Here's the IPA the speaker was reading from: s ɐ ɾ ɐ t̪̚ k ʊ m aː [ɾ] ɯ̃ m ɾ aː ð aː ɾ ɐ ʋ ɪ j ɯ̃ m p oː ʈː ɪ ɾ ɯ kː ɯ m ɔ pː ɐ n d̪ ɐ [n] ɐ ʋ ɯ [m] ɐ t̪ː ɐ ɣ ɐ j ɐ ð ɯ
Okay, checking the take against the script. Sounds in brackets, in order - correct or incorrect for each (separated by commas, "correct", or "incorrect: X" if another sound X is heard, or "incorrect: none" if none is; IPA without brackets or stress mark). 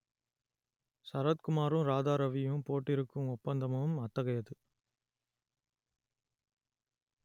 correct, incorrect: m, correct